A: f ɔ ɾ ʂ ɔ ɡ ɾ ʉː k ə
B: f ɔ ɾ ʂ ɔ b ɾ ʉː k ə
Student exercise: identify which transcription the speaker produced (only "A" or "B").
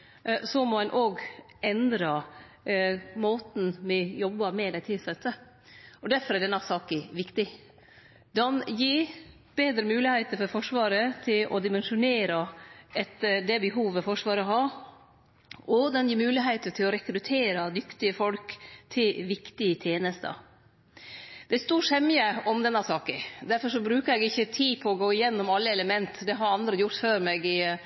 B